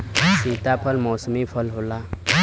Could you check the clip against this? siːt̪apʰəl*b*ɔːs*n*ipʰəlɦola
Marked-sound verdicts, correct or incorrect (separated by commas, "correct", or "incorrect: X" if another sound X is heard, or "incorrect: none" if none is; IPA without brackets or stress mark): incorrect: m, incorrect: m